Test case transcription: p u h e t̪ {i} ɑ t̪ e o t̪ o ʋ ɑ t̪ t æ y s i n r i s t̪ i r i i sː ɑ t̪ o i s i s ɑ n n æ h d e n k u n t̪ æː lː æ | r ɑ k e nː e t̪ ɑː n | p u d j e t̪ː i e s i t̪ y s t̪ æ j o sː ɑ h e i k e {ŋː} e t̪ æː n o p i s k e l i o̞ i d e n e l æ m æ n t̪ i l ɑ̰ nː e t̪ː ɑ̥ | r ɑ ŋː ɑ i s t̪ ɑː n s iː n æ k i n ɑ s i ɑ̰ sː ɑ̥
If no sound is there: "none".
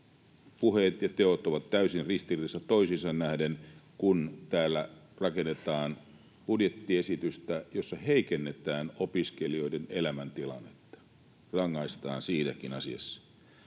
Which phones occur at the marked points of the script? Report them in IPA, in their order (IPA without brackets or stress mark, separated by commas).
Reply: j, nː